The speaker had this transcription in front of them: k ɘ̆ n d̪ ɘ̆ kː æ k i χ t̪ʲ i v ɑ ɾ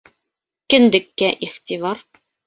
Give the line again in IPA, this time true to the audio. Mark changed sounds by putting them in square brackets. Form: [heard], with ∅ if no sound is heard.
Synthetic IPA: k ɘ̆ n d̪ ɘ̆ kː æ [ʔ] i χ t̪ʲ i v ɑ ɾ